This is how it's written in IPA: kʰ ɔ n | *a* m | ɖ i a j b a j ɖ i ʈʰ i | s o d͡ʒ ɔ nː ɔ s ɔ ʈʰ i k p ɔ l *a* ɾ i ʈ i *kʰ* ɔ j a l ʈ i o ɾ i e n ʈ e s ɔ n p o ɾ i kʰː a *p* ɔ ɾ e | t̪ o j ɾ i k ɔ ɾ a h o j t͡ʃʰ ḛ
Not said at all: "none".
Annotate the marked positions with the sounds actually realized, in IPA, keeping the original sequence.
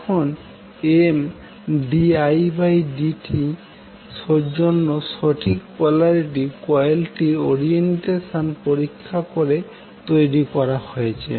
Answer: e, a, k, k

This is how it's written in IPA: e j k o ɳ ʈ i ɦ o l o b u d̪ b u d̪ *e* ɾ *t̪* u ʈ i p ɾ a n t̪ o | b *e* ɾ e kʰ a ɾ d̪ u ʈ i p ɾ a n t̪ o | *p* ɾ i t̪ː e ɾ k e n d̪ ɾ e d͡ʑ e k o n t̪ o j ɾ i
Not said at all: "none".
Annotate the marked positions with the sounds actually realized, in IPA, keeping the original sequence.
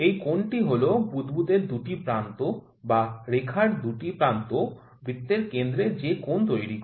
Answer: e, d̪, a, b

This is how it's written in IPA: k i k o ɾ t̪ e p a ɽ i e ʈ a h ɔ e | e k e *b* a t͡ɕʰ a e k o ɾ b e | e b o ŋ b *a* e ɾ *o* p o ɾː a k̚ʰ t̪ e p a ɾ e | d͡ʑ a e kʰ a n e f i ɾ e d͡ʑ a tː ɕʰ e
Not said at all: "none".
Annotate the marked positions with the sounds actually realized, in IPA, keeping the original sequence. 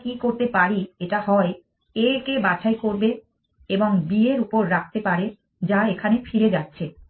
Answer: b, i, u

